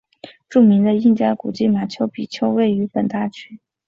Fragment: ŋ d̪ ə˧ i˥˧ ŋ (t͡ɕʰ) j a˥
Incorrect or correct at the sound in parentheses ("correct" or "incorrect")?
incorrect